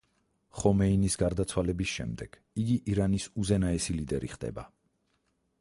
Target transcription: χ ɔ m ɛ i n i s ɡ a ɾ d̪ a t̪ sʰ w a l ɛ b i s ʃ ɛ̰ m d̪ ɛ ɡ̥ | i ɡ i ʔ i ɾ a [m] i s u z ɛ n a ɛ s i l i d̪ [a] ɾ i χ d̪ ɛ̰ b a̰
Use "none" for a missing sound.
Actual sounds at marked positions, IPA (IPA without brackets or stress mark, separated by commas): n, ɛ